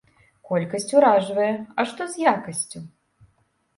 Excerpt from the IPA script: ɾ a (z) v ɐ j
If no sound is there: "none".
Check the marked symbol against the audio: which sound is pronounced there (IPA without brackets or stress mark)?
ʐ